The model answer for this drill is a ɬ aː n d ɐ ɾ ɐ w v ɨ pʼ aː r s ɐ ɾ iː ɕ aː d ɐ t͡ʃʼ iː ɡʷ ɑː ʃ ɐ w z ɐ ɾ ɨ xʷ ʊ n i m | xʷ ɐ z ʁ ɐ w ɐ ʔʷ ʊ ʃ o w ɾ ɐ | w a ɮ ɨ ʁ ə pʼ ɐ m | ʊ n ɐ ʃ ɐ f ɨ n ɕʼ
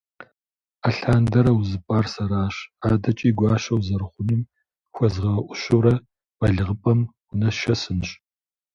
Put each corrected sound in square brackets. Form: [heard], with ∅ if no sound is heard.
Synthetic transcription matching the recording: a ɬ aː n d ɐ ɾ ɐ w [z] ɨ pʼ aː r s ɐ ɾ [aː] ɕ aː d ɐ t͡ʃʼ iː ɡʷ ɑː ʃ ɐ w z ɐ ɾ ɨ [χʷ] ʊ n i m | xʷ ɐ z ʁ ɐ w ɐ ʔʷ ʊ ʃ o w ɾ ɐ | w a ɮ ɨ ʁ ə pʼ ɐ m | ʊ n ɐ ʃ ɐ [s] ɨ n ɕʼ